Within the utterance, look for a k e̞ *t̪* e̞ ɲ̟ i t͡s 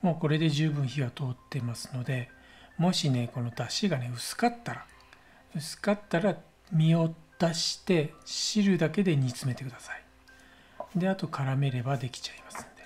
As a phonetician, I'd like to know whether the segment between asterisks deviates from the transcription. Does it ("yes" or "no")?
yes